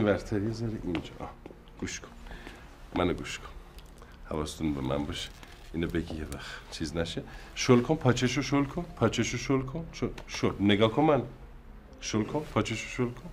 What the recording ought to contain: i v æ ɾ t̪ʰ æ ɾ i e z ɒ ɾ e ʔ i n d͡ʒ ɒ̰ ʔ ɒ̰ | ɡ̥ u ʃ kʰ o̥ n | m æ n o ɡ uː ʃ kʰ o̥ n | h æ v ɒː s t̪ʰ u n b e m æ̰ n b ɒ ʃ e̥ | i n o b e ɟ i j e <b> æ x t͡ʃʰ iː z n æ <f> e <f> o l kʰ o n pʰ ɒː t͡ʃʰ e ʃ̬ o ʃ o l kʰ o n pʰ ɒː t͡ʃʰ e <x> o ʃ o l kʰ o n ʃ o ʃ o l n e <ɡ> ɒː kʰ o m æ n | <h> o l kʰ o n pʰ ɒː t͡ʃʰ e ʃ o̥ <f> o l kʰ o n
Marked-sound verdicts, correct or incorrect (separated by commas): incorrect, incorrect, incorrect, incorrect, correct, incorrect, incorrect